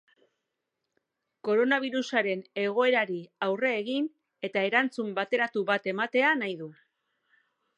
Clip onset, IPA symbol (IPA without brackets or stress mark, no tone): k